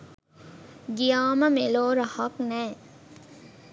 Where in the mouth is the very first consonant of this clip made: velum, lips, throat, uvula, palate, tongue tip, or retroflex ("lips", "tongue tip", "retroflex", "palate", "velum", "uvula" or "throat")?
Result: velum